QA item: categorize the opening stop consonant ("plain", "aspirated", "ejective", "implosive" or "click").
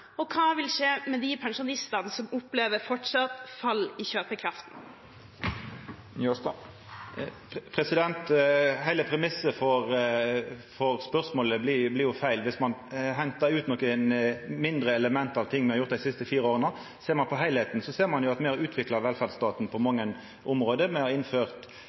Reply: aspirated